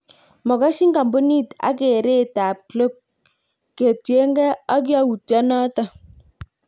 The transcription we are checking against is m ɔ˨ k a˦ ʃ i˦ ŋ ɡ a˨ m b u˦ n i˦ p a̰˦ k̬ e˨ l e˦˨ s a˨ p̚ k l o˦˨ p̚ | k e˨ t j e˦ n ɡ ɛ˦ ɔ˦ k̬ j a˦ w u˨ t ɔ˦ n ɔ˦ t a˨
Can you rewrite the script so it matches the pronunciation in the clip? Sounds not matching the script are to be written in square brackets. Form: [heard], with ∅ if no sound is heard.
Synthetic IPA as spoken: m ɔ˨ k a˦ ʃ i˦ ŋ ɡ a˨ m b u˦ n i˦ [t] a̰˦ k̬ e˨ [ɾ] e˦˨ [t] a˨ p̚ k l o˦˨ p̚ | k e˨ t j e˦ [ŋ] ɡ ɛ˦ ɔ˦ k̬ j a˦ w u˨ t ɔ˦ n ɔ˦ t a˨